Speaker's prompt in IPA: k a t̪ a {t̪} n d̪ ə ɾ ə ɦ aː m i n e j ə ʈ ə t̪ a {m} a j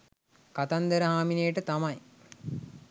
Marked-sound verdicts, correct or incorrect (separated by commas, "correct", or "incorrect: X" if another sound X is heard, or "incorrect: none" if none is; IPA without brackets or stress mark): incorrect: none, correct